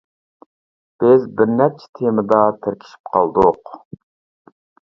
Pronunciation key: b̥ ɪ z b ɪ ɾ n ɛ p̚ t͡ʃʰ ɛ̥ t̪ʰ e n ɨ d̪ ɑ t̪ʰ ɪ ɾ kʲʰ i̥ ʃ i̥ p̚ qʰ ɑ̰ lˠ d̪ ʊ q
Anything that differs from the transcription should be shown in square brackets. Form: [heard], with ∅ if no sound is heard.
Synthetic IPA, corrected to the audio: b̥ ɪ z b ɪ ɾ n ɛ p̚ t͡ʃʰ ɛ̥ t̪ʰ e [m] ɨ d̪ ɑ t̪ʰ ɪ ɾ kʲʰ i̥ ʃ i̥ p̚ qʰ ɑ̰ lˠ d̪ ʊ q